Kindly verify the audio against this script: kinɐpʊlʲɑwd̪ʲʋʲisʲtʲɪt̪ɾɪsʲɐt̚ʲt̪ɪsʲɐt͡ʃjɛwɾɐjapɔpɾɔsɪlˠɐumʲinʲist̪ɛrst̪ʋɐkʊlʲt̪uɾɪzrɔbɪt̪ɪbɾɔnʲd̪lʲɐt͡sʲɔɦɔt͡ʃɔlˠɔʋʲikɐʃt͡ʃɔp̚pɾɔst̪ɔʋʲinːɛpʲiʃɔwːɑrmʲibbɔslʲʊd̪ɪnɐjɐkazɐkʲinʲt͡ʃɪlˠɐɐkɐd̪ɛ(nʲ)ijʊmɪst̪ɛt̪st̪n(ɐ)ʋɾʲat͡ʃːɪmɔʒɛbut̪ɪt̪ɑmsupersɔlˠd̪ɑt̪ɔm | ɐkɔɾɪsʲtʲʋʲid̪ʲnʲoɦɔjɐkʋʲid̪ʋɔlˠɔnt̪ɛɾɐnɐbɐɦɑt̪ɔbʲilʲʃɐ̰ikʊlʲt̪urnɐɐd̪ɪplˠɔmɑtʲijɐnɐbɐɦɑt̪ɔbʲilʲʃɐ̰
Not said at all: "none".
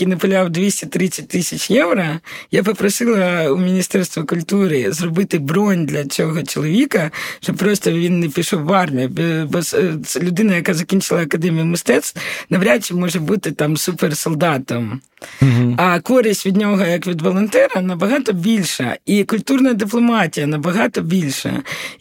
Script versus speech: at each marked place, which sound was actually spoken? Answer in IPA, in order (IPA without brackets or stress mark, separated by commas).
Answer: mʲ, ɐ